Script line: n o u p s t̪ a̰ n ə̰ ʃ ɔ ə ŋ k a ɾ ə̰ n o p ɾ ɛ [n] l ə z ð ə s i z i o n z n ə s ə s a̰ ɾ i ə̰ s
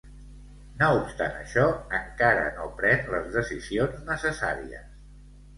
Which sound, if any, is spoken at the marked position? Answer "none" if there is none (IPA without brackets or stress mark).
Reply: n